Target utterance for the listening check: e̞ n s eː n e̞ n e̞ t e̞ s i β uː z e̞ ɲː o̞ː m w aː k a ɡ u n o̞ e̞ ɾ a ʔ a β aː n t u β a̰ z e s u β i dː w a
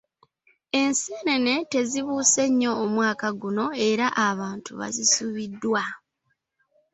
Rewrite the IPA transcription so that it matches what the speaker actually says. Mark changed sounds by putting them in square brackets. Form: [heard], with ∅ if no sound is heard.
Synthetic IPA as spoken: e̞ n s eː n e̞ n e̞ t e̞ [z] i β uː [s] e̞ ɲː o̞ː m w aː k a ɡ u n o̞ e̞ ɾ a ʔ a β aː n t u β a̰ z [i] s u β i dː w a

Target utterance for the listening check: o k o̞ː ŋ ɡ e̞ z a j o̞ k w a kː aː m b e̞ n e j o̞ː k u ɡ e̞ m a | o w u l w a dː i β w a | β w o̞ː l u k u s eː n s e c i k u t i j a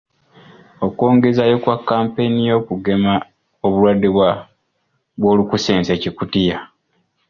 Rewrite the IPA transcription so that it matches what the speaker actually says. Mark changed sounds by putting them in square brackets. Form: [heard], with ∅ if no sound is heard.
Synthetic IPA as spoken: o k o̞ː ŋ ɡ e̞ z a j o̞ k w a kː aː m [p] e̞ n [i] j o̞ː k u ɡ e̞ m a | o [β] u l w a dː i β w a | β w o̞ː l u k u s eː n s e c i k u t i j a

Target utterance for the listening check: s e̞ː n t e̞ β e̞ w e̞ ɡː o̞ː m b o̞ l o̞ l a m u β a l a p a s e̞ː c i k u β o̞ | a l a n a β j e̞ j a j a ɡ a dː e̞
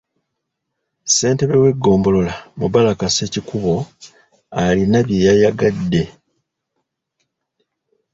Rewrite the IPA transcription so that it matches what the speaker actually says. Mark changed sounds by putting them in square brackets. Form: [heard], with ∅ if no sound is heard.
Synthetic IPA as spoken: s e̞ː n t e̞ β e̞ w e̞ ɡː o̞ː m b o̞ l o̞ l a m u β a l a [k] a s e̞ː c i k u β o̞ | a l [i] n a β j e̞ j a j a ɡ a dː e̞

